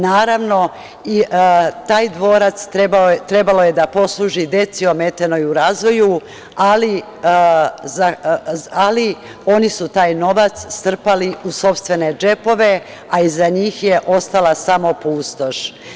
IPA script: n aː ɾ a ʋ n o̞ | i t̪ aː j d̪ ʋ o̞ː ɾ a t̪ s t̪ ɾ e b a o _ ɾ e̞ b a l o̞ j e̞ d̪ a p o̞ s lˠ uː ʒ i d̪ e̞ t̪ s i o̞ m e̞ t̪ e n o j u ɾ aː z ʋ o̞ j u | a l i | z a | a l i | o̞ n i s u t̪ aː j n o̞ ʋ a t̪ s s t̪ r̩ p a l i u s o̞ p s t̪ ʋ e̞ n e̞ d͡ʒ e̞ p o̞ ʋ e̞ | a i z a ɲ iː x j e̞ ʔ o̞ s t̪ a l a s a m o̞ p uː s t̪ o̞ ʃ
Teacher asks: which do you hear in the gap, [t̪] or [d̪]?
t̪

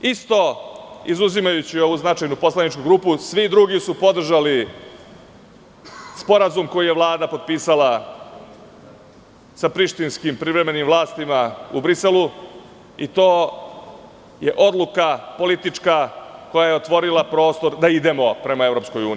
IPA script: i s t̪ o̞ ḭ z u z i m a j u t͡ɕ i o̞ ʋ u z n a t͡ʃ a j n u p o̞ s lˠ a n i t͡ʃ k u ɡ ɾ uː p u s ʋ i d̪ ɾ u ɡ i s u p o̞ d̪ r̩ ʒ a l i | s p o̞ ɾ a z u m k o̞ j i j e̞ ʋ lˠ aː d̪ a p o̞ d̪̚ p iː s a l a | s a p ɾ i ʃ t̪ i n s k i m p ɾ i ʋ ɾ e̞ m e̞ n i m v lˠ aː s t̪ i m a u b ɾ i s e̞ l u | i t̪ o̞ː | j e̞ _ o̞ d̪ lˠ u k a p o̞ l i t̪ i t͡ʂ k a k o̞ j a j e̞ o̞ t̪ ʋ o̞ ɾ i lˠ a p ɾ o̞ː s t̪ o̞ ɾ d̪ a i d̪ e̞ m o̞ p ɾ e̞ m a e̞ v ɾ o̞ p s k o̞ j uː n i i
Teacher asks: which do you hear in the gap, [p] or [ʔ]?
ʔ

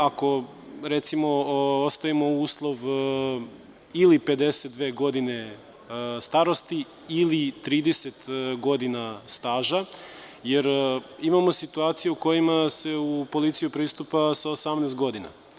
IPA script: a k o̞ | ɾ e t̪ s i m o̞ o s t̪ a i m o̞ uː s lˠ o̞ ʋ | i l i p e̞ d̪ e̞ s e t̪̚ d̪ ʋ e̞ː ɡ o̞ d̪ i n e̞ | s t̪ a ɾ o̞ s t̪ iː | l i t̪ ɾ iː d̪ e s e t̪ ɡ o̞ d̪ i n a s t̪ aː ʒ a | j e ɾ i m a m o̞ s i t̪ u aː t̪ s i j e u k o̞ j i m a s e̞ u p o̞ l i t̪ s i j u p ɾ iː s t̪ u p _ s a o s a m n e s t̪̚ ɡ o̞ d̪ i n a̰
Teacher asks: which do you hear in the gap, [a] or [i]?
a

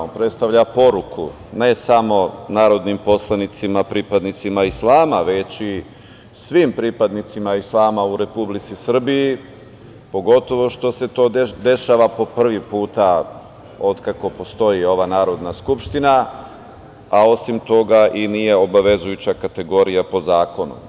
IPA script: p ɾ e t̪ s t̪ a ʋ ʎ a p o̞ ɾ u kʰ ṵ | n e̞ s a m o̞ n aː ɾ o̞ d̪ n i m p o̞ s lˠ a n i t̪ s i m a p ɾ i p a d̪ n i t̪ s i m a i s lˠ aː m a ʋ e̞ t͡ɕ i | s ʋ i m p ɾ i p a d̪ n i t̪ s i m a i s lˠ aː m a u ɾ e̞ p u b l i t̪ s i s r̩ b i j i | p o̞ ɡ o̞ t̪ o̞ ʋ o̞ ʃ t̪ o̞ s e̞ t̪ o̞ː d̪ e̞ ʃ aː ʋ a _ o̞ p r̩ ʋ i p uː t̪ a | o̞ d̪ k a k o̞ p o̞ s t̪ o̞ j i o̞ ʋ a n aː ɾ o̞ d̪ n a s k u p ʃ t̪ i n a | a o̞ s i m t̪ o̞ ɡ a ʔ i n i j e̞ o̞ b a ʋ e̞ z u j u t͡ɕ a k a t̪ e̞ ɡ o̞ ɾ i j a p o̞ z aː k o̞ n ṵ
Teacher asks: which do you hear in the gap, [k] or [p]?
p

